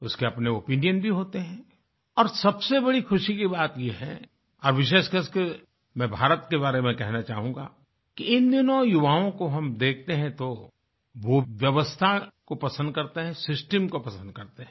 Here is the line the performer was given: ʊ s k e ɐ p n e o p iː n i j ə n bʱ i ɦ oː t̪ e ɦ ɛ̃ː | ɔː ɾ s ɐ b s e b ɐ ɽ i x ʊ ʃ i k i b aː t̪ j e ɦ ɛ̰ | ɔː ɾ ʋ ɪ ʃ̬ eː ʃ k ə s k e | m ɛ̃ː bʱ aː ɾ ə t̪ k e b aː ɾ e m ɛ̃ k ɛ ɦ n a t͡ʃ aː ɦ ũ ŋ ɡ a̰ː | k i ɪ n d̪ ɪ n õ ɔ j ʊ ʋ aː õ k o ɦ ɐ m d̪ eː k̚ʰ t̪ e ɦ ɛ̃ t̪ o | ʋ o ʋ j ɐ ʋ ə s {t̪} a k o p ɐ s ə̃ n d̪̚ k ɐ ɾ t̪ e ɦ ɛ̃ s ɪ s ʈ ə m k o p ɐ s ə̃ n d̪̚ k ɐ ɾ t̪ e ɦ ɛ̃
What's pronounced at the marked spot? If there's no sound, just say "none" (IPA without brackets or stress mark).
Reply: t̪ʰ